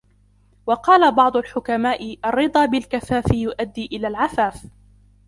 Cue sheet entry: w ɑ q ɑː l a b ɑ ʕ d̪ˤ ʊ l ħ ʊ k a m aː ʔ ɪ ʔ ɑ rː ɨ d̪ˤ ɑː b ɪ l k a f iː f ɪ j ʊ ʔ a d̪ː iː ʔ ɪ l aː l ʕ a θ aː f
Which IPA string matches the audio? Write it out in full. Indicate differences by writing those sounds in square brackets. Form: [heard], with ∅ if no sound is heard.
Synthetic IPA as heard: w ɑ q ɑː l a b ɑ ʕ d̪ˤ ʊ l ħ ʊ k a m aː ʔ ɪ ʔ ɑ rː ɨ d̪ˤ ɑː b ɪ l k a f [aː] f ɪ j ʊ ʔ a d̪ː iː ʔ ɪ l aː l ʕ a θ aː f